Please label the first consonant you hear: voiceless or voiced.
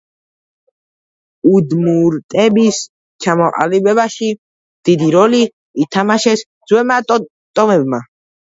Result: voiced